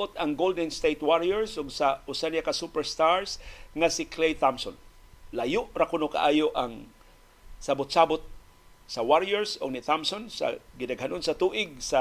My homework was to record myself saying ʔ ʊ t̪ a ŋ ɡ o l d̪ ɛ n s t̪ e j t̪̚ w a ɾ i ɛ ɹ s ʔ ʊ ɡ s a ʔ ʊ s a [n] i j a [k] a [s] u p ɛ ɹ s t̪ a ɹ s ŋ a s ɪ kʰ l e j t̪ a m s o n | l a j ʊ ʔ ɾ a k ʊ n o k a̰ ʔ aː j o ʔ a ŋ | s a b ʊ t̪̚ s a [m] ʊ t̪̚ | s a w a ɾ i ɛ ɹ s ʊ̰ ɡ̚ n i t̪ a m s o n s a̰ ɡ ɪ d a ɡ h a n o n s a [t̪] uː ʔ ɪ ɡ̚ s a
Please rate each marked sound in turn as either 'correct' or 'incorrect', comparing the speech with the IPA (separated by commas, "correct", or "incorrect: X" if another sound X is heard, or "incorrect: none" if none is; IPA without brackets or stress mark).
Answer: correct, correct, correct, incorrect: b, correct